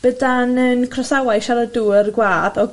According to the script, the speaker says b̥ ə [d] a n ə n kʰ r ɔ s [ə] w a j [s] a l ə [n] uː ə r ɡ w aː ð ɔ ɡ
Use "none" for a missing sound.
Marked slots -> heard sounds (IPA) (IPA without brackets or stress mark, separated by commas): d, a, ʃ, d